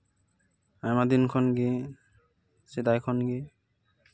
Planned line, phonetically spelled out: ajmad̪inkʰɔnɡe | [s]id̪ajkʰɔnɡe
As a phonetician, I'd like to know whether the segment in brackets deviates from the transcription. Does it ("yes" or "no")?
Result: no